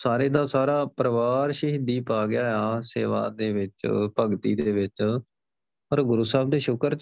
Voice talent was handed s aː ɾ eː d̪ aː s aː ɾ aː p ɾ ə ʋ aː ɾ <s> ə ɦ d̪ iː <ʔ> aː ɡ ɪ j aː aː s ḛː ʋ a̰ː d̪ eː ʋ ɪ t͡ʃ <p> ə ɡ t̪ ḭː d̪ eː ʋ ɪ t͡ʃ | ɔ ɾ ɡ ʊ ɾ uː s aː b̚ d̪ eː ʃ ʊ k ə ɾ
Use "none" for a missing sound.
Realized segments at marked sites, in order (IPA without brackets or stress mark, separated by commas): ʃ, p, p